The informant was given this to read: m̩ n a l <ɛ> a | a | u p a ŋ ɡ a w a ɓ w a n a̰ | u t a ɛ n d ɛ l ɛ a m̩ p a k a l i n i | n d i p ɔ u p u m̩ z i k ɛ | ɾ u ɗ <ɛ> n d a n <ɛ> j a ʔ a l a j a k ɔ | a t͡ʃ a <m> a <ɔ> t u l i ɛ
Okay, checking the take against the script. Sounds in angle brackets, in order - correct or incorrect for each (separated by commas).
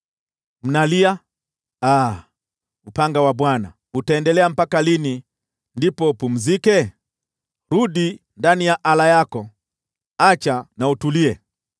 incorrect, incorrect, incorrect, incorrect, incorrect